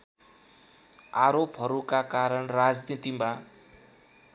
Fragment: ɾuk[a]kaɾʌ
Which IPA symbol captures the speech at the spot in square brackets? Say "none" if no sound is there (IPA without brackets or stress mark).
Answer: a